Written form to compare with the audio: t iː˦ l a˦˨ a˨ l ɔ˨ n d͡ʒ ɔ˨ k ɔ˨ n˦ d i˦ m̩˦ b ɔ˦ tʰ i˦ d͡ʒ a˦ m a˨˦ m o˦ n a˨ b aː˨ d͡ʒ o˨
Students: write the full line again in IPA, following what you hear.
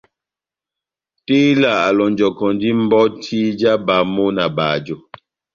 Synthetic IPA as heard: t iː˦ l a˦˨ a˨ l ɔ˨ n d͡ʒ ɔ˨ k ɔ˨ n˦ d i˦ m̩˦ b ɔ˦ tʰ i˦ d͡ʒ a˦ b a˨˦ m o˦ n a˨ b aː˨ d͡ʒ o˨